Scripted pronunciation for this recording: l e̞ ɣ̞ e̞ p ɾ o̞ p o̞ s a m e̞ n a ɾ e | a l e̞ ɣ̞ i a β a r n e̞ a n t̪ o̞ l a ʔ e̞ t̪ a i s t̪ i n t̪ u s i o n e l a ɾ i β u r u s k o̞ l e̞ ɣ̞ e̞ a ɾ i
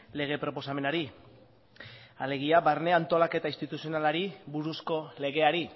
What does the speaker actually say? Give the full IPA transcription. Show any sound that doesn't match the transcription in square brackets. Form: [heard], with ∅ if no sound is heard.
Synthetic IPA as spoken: l e̞ ɣ̞ e̞ p ɾ o̞ p o̞ s a m e̞ n a ɾ [i] | a l e̞ ɣ̞ i a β a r n e̞ a n t̪ o̞ l a [k] e̞ t̪ a i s t̪ i [∅] t̪ u s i o n [a] l a ɾ i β u [ɾ] u s k o̞ l e̞ ɣ̞ e̞ a ɾ i